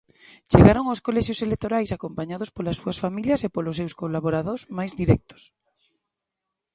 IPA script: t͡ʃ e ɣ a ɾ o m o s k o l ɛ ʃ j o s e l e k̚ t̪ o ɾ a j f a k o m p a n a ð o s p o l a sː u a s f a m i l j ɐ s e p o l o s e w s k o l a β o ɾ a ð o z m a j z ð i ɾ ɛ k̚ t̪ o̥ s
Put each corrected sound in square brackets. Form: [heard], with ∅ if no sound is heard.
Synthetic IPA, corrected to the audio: t͡ʃ e ɣ a ɾ o [ŋ] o s k o l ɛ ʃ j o s e l e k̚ t̪ o ɾ a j [s] a k o m p a [ɲ] a ð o s p o l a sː u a s f a m i l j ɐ s e p o l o s e w s k o l a β o ɾ a ð o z m a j z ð i ɾ ɛ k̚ t̪ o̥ s